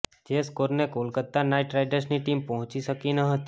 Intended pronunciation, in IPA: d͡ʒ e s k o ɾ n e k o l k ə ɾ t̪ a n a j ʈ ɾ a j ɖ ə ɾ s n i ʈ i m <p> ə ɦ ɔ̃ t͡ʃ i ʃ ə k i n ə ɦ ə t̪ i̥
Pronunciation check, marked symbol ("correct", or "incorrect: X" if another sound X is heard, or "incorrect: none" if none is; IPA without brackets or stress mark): correct